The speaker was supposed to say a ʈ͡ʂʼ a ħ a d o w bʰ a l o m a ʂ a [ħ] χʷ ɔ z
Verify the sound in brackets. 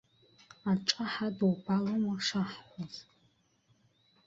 correct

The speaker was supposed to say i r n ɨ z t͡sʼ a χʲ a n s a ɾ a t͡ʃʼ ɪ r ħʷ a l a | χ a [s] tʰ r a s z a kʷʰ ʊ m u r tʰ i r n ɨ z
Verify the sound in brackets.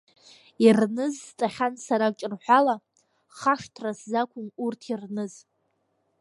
incorrect: ʂ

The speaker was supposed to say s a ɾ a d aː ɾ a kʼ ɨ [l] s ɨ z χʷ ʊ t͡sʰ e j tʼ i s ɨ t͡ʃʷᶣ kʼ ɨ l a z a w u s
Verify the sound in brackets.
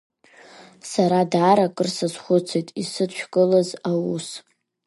incorrect: r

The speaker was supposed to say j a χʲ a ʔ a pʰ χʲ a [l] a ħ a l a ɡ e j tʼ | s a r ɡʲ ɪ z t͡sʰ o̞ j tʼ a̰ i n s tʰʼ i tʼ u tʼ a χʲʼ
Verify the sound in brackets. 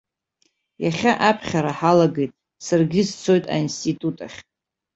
incorrect: ɾ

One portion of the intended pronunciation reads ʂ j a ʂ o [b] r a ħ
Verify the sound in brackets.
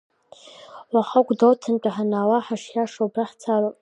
correct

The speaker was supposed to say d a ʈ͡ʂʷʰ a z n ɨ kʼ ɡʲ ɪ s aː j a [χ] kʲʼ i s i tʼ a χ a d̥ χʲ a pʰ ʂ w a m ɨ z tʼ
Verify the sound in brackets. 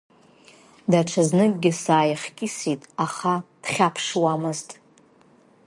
correct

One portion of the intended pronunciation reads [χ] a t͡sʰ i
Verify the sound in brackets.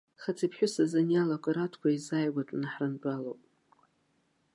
correct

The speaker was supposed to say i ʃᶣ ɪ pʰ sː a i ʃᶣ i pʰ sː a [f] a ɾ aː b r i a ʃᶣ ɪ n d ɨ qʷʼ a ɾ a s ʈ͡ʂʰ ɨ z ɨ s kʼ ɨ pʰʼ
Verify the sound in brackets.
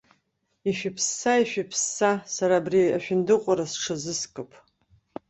incorrect: s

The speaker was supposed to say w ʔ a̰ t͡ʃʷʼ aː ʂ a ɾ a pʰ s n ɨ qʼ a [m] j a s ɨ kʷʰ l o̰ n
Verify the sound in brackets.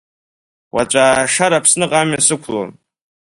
correct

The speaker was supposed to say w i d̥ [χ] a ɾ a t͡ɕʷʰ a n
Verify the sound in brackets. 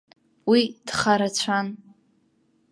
correct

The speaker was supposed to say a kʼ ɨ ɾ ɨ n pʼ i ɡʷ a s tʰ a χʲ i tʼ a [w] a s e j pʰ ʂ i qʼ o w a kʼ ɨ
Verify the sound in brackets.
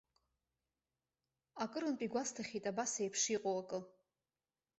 incorrect: b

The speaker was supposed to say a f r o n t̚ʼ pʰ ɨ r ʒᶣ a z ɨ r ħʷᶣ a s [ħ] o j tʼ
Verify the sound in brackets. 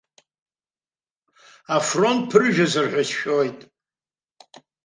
incorrect: ʃ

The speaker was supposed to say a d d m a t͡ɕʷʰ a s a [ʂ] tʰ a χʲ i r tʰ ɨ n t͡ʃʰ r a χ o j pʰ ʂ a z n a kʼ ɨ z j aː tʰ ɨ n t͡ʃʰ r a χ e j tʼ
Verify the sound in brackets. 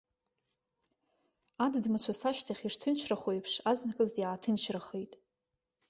incorrect: ʃ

